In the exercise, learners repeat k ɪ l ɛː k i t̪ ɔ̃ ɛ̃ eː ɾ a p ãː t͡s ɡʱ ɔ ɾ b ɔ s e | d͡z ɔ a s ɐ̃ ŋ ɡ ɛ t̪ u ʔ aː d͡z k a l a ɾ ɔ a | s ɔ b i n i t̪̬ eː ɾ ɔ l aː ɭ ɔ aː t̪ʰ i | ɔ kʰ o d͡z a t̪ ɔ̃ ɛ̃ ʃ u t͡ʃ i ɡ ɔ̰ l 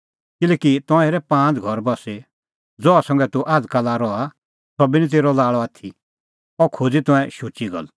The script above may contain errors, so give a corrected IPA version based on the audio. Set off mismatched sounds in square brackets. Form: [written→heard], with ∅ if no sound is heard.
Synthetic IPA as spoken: k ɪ l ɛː k i t̪ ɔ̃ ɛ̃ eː ɾ [a→ɛ] p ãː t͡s ɡʱ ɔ ɾ b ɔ s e | d͡z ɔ a s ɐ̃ ŋ ɡ ɛ t̪ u ʔ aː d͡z k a l a ɾ ɔ a | s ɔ b i n i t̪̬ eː ɾ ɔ l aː ɭ ɔ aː t̪ʰ i | ɔ kʰ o d͡z [a→i] t̪ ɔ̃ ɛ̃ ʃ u t͡ʃ i ɡ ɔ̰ l

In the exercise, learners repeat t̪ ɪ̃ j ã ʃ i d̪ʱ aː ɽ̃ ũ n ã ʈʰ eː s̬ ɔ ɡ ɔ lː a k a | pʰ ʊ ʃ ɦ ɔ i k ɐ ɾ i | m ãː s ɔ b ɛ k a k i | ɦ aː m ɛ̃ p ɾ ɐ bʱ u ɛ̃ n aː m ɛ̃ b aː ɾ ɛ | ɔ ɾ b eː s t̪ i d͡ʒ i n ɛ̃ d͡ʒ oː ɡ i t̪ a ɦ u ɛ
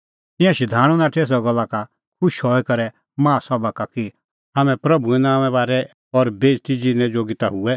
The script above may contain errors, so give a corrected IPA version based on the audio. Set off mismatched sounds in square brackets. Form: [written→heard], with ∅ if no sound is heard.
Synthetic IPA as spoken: t̪ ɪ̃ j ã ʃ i d̪ʱ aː ɽ̃ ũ n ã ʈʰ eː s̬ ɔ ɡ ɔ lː a k a | [pʰ→kʰ] ʊ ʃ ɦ ɔ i k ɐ ɾ [i→ɛ] | m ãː s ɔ b [ɛ→a] k a k i | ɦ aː m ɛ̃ p ɾ ɐ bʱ u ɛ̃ n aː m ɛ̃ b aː ɾ ɛ | ɔ ɾ b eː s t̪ i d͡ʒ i n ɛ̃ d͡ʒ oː ɡ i t̪ a ɦ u ɛ

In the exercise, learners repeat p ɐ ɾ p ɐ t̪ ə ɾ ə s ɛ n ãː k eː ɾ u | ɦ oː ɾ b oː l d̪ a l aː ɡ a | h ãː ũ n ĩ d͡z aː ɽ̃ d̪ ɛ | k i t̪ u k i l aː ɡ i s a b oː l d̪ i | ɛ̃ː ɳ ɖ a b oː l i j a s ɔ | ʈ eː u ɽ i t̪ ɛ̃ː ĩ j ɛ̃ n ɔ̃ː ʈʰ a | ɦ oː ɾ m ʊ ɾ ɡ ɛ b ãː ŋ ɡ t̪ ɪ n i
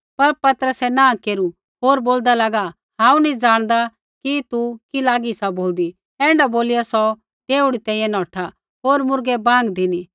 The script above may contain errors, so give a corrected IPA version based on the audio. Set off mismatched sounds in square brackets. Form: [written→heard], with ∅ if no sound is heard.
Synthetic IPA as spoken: p ɐ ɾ p ɐ t̪ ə ɾ ə s ɛ n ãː k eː ɾ u | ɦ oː ɾ b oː l d̪ a l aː ɡ a | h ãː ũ n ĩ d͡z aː ɽ̃ d̪ [ɛ→a] | k i t̪ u k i l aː ɡ i s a b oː l d̪ i | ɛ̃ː ɳ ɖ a b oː l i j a s ɔ | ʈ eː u ɽ i t̪ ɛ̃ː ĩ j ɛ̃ n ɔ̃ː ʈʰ a | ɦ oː ɾ m ʊ ɾ ɡ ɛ b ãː ŋ ɡ [t̪→d̪] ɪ n i

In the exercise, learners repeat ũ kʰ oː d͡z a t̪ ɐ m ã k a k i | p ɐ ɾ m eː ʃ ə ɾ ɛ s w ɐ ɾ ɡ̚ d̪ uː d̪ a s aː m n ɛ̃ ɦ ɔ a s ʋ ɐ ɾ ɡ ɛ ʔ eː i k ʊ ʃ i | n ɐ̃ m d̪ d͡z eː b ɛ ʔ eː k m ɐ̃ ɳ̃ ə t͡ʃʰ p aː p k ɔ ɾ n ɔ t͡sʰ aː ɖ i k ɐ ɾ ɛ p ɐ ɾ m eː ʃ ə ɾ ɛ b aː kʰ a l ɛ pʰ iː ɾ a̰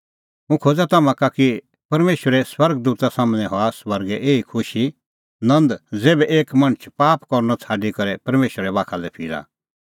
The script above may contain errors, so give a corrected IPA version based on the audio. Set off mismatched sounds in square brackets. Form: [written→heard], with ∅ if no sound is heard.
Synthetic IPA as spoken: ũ kʰ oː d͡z a t̪ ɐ m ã k a k i | p ɐ ɾ m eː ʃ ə ɾ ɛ s w ɐ ɾ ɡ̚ d̪ uː [d̪→t̪] a s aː m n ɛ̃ ɦ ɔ a s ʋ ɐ ɾ ɡ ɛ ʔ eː i [k→kʰ] ʊ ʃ i | n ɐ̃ [m→n] d̪ d͡z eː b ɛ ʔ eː k m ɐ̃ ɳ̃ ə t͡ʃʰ p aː p k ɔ ɾ n ɔ t͡sʰ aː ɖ i k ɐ ɾ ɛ p ɐ ɾ m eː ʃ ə ɾ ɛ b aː kʰ a l ɛ pʰ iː ɾ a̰

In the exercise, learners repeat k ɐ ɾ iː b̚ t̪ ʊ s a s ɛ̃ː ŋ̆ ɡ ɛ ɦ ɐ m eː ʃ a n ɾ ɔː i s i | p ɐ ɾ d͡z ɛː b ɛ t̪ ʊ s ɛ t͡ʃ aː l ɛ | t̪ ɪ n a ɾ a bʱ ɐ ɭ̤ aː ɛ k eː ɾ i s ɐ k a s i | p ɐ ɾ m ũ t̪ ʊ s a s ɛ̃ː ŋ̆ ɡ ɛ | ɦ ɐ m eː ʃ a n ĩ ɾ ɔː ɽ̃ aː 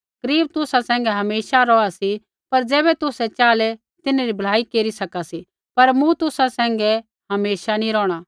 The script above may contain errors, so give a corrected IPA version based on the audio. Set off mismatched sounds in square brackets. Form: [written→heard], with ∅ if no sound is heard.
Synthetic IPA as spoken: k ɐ ɾ iː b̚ t̪ ʊ s a s ɛ̃ː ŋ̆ ɡ ɛ ɦ ɐ m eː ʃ a [n→∅] ɾ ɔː [i→a] s i | p ɐ ɾ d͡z ɛː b ɛ t̪ ʊ s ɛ t͡ʃ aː l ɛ | t̪ ɪ n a ɾ [a→i] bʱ ɐ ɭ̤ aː [ɛ→i] k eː ɾ i s ɐ k a s i | p ɐ ɾ m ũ t̪ ʊ s a s ɛ̃ː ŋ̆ ɡ ɛ | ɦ ɐ m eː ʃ a n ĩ ɾ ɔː ɽ̃ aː

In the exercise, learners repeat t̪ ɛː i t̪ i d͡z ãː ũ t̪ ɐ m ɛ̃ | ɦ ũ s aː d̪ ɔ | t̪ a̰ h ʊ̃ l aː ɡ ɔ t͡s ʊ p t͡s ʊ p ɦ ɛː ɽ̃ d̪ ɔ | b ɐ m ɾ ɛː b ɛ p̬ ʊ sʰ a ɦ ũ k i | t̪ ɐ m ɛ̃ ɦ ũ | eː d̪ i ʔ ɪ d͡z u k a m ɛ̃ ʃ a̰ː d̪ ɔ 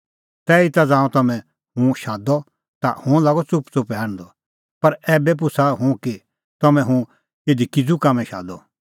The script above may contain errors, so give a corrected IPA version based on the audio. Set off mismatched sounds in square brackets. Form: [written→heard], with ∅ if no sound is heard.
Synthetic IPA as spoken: t̪ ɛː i t̪ [i→a] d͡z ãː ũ t̪ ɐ m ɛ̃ | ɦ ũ [s→ʃ] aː d̪ ɔ | t̪ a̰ h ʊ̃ l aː ɡ ɔ t͡s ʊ p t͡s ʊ p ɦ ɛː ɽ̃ d̪ ɔ | [b→p] ɐ [m→∅] ɾ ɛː b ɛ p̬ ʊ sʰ a ɦ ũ k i | t̪ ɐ m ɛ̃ ɦ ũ | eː d̪ i [ʔ→k] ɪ d͡z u k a m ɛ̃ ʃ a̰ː d̪ ɔ

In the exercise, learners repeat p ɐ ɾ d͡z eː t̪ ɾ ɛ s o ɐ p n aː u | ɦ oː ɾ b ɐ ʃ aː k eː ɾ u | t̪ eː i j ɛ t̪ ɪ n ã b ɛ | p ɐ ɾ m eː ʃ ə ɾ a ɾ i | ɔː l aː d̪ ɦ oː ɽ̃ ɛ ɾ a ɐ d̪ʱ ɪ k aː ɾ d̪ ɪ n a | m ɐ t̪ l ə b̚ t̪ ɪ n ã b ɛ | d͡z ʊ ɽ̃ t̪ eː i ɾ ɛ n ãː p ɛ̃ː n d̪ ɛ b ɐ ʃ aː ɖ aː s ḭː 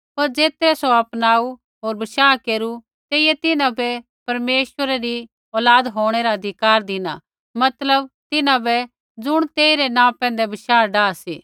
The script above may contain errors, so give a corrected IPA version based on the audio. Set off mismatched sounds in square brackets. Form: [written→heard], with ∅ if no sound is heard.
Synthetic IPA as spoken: p ɐ ɾ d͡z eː t̪ ɾ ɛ s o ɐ p n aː u | ɦ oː ɾ b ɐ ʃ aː k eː ɾ u | t̪ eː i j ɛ t̪ ɪ n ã b ɛ | p ɐ ɾ m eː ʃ ə ɾ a ɾ i | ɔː l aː d̪ ɦ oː ɽ̃ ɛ ɾ a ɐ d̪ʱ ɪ k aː ɾ d̪ ɪ n a | m ɐ t̪ l ə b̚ t̪ ɪ n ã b ɛ | d͡z ʊ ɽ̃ t̪ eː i ɾ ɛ n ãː p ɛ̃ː n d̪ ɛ b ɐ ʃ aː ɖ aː s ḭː

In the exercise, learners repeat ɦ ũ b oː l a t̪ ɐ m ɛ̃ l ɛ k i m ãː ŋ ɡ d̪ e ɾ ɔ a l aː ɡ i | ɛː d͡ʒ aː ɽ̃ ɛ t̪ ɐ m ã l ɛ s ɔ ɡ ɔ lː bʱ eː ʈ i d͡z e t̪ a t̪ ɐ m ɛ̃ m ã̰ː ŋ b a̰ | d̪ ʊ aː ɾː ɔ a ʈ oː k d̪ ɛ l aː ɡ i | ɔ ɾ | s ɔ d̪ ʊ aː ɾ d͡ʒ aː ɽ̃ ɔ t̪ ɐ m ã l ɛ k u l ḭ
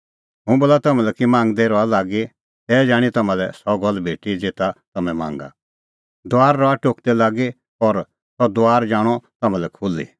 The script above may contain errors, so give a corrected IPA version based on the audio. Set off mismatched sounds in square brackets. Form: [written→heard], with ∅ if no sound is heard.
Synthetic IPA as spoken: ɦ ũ b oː l a t̪ ɐ m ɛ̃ l ɛ k i m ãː ŋ ɡ d̪ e ɾ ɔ a l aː ɡ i | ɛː d͡ʒ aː ɽ̃ [ɛ→i] t̪ ɐ m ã l ɛ s ɔ ɡ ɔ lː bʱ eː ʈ i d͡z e t̪ a t̪ ɐ m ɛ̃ m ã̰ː ŋ [b→ɡ] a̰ | d̪ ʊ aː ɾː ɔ a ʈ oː k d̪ ɛ l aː ɡ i | ɔ ɾ | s ɔ d̪ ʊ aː ɾ d͡ʒ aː ɽ̃ ɔ t̪ ɐ m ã l ɛ [k→kʰ] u l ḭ

